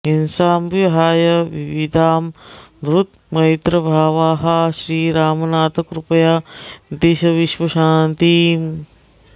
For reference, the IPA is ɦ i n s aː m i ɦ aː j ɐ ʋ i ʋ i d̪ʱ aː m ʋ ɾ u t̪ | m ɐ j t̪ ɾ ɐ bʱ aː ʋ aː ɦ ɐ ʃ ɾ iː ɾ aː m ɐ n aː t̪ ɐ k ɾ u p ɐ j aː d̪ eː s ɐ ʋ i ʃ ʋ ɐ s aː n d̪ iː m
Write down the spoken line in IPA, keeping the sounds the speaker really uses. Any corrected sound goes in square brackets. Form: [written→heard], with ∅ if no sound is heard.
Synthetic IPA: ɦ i n s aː m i ɦ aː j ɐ ʋ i ʋ i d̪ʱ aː m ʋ ɾ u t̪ | m ɐ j t̪ ɾ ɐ bʱ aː ʋ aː ɦ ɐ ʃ ɾ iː ɾ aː m ɐ n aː t̪ ɐ k ɾ u p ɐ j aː d̪ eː [s→ʃ] ɐ ʋ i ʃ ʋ ɐ [s→ʃ] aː n [d̪→t̪] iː m